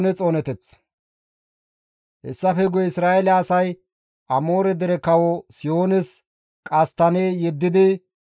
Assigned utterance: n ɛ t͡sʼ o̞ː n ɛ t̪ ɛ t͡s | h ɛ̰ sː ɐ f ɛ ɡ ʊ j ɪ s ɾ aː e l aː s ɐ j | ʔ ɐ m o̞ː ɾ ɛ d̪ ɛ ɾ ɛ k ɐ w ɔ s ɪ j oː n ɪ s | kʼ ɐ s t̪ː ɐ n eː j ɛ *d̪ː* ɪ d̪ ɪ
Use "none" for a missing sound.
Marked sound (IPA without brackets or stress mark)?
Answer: d̪ː